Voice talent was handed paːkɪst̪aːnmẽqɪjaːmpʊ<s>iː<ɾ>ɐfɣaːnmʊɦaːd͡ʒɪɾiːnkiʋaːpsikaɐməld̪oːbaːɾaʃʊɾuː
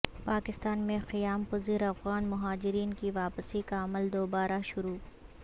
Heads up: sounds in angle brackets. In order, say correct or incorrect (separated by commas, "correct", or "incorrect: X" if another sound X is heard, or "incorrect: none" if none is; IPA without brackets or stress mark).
incorrect: z, correct